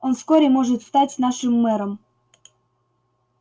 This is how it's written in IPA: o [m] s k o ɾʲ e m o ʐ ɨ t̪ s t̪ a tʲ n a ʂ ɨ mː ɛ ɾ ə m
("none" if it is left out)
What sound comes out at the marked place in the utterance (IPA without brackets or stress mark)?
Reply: n